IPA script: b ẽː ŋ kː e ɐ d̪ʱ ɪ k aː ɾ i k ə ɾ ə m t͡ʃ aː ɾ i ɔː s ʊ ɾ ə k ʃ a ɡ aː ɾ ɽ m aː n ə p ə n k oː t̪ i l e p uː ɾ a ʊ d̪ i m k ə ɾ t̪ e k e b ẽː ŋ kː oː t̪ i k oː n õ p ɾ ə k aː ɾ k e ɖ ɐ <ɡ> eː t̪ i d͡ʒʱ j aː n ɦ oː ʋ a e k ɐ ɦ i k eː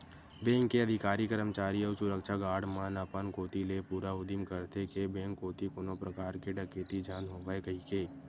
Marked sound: incorrect: k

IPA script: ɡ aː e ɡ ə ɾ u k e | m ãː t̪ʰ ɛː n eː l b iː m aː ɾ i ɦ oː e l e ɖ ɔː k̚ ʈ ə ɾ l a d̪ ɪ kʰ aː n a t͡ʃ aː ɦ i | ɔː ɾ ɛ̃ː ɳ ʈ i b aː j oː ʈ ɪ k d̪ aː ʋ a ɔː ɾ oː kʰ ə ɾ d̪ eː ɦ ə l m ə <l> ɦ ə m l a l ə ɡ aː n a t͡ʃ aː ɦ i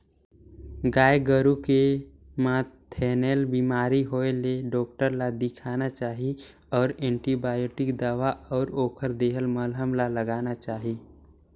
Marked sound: correct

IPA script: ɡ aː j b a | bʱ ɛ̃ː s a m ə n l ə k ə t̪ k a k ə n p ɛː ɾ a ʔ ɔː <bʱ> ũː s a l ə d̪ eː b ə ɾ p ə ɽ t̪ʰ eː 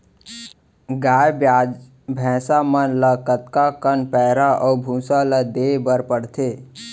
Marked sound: correct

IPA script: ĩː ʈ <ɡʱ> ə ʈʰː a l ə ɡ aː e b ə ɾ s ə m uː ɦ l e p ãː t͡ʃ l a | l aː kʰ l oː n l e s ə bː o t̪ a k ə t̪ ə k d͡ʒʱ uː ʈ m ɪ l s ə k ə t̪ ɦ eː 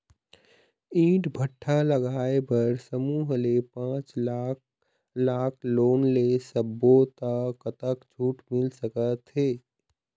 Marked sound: incorrect: bʱ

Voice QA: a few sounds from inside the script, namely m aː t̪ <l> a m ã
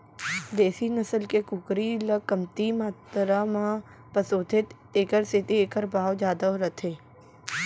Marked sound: incorrect: ɾ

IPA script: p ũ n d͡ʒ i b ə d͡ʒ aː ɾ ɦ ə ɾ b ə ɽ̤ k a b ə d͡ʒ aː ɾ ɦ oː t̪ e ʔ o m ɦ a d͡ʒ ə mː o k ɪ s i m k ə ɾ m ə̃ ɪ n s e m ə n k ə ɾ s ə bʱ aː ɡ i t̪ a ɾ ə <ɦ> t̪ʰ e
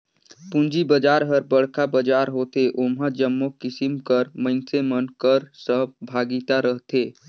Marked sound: correct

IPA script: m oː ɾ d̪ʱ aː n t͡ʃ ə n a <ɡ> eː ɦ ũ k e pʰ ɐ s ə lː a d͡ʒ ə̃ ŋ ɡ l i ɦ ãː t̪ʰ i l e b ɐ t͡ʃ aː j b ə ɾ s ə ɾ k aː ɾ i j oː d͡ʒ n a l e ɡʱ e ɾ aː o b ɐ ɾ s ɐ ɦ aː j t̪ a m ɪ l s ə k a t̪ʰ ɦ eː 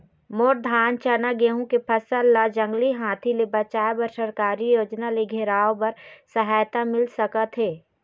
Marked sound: correct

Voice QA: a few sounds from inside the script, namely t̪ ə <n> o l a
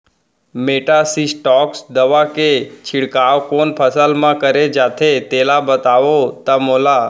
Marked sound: incorrect: m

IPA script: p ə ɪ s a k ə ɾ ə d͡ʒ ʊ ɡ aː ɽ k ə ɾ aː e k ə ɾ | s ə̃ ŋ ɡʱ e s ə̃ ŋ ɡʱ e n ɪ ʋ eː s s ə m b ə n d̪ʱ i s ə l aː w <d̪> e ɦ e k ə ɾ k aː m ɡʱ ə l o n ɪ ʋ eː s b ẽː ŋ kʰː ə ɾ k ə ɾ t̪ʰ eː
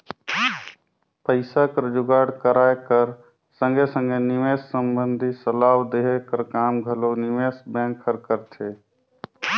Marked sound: correct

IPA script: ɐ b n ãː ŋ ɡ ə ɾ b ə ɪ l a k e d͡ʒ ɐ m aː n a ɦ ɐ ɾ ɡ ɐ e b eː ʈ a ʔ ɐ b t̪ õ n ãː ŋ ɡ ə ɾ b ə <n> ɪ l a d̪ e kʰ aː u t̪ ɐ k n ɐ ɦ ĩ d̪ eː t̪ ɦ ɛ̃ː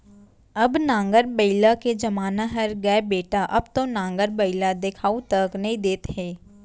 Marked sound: incorrect: none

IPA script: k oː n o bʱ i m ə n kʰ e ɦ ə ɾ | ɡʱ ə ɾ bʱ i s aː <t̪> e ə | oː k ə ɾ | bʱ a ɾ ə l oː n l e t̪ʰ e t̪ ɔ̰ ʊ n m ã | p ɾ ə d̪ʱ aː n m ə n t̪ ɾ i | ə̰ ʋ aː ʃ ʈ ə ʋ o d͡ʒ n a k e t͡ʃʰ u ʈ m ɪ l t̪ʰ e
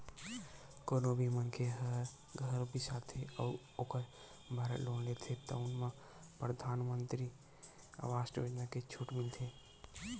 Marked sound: incorrect: t̪ʰ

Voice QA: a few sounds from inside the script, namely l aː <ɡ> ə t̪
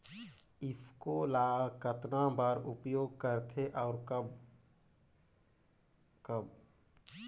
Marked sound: incorrect: k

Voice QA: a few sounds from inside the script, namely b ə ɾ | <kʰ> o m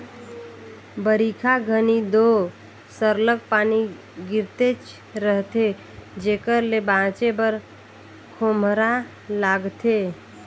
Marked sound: correct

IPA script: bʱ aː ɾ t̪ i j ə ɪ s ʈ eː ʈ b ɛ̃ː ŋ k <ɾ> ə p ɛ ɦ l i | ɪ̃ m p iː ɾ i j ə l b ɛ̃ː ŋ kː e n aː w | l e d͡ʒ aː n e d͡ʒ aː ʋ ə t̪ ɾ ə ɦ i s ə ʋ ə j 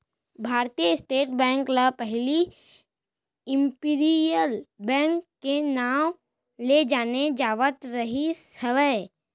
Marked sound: incorrect: l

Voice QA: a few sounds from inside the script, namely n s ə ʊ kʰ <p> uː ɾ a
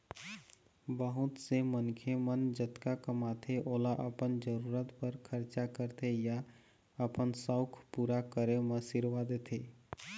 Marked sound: correct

